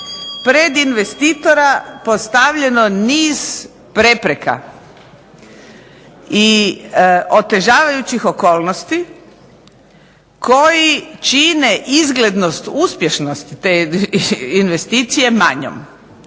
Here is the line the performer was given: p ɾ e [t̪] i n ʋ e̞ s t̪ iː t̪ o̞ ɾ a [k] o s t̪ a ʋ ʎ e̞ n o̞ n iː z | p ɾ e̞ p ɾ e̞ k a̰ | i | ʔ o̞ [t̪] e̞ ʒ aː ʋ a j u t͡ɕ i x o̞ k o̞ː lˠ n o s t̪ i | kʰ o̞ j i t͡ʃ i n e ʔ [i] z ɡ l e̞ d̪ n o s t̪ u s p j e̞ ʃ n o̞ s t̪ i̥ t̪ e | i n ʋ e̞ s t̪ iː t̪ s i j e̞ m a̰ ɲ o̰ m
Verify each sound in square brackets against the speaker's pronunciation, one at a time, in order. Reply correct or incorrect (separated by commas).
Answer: incorrect, incorrect, correct, correct